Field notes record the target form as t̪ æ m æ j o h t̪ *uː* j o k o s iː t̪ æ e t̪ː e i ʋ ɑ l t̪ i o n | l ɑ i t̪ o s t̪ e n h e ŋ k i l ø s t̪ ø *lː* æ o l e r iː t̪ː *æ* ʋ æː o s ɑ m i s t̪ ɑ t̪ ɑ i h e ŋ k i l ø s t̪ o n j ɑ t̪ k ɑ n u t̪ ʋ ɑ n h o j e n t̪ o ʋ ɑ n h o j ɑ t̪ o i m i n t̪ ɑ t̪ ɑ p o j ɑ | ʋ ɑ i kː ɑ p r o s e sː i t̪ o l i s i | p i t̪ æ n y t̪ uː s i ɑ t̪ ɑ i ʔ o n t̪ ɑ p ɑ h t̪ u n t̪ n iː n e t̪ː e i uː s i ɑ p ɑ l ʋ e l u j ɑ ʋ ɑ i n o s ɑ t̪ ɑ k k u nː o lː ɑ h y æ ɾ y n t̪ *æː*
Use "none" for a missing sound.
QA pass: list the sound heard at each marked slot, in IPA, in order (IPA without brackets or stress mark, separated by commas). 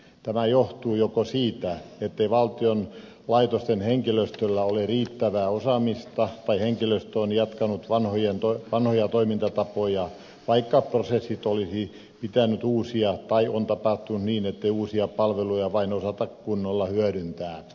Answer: uː, lː, æ, æː